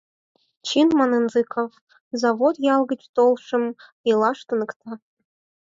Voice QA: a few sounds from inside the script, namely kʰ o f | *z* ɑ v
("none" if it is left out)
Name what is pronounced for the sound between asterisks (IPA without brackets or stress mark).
z